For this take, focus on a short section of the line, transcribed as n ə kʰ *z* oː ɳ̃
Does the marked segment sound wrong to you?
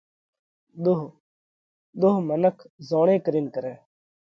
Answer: no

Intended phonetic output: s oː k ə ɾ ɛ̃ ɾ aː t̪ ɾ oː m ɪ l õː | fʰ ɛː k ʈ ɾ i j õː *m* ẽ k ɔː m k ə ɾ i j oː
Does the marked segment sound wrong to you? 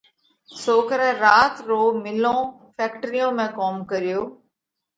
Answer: no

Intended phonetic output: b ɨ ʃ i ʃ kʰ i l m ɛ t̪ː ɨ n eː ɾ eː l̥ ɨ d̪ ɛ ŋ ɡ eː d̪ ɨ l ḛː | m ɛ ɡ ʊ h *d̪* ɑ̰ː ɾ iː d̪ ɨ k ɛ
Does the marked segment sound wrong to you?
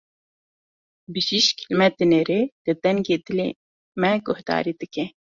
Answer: no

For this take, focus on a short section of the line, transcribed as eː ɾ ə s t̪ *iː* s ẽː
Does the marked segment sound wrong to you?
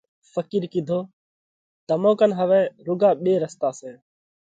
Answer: yes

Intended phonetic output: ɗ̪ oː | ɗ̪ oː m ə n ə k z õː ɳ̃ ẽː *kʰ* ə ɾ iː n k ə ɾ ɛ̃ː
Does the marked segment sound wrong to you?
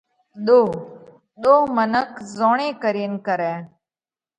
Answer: yes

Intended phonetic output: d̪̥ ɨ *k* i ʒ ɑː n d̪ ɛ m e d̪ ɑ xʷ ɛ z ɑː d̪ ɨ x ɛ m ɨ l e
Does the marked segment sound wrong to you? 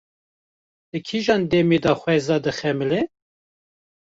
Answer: yes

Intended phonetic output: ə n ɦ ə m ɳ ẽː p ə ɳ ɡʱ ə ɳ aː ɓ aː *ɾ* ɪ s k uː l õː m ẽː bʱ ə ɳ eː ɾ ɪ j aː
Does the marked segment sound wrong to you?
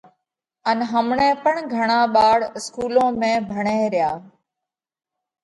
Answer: yes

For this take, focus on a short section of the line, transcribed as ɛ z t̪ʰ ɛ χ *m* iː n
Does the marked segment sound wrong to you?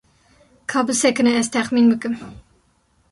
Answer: no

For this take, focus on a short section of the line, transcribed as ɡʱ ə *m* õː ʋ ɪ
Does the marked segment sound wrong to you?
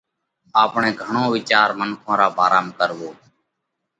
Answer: yes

